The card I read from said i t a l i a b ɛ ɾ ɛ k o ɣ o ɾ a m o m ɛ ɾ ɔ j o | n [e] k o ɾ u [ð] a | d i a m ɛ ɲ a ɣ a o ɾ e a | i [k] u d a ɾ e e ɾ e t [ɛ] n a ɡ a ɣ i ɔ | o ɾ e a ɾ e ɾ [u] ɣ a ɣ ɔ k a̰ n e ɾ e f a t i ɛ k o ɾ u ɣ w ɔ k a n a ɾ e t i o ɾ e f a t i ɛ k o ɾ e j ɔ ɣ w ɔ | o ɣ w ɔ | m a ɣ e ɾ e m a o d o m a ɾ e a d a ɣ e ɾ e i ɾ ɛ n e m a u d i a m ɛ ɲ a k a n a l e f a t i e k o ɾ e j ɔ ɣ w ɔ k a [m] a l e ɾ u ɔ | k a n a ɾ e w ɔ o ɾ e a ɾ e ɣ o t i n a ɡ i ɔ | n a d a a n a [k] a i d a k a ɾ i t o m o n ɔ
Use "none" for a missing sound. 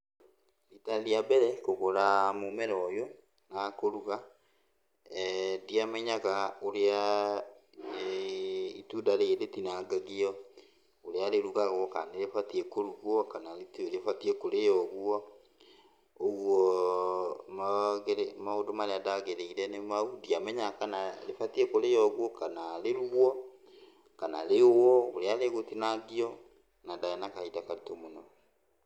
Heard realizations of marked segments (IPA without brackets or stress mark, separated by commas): a, ɣ, t, i, u, n, k